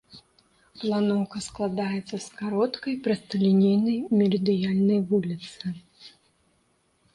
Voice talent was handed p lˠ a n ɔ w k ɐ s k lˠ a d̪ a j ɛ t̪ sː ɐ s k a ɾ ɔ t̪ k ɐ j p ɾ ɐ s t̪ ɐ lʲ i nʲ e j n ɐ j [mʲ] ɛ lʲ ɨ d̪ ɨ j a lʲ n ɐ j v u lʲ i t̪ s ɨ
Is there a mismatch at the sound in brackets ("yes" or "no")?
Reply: no